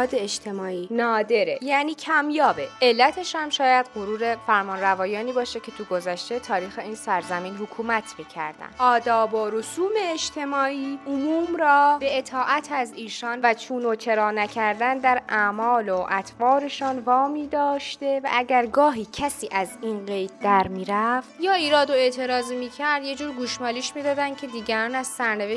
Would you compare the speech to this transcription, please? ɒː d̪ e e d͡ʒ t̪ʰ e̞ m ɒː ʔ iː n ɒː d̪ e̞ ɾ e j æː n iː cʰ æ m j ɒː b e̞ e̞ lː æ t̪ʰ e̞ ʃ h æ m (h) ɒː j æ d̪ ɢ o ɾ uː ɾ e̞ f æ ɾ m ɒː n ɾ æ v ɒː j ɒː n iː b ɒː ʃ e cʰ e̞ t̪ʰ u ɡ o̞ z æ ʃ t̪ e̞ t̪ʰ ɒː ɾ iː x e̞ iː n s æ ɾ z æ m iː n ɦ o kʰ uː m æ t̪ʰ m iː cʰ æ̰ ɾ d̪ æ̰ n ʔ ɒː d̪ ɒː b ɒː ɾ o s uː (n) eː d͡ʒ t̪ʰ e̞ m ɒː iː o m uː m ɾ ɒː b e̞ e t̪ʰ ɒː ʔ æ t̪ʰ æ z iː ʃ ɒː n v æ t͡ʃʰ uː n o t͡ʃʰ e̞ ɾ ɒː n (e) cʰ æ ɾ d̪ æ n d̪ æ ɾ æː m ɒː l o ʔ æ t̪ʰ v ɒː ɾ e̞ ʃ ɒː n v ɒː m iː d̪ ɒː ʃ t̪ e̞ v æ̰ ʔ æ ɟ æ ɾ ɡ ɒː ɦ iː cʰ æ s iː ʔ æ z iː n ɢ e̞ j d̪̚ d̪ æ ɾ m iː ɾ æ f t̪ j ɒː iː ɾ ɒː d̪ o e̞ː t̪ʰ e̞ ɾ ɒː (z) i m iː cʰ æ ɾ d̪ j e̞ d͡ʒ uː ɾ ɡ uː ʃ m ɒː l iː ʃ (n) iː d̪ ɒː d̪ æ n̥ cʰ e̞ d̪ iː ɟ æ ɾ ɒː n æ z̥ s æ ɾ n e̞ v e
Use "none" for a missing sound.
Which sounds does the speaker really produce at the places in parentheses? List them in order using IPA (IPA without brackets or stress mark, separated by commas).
ʃ, m, æ, z, m